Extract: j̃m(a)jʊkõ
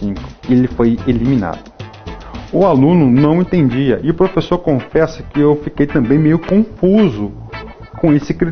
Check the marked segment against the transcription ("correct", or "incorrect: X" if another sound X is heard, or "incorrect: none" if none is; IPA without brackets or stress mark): incorrect: e